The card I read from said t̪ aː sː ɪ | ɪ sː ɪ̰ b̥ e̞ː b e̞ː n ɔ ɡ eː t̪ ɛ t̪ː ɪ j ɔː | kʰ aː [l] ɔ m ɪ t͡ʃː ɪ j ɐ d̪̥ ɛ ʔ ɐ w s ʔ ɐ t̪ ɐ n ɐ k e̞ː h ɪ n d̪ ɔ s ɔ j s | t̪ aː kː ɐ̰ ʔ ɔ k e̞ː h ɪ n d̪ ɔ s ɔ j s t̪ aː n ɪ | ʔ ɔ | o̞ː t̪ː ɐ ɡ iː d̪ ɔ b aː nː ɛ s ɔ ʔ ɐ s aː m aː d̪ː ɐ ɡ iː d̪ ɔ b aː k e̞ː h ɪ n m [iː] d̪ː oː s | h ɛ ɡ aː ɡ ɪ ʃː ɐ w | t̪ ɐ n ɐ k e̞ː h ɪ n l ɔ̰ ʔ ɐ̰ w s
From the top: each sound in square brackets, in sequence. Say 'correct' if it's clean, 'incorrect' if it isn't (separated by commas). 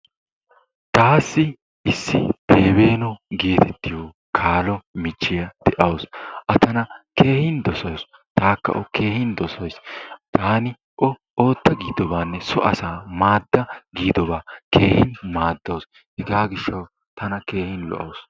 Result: correct, incorrect